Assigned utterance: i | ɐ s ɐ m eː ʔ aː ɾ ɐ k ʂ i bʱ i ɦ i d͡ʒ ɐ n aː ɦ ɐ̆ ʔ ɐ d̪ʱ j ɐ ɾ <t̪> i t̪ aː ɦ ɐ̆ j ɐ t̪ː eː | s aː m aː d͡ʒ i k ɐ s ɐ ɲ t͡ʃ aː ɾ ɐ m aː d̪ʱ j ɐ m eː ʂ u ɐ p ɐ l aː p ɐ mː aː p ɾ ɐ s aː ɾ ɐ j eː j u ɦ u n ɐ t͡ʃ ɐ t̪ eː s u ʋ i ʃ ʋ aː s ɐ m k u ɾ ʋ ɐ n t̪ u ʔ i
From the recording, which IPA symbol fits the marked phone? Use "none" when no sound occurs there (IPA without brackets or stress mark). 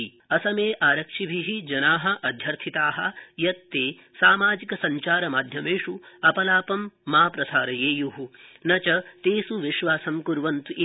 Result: t̪ʰ